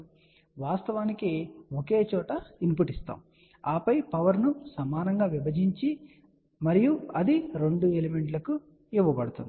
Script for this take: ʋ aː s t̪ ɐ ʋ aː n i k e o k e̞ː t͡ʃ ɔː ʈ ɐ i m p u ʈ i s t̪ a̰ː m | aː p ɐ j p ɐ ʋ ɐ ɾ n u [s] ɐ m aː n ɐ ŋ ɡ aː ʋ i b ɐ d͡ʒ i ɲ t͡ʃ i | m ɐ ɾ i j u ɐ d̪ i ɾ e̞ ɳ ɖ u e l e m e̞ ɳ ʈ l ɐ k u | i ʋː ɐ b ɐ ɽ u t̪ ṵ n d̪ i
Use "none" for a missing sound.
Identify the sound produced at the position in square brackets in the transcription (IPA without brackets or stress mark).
s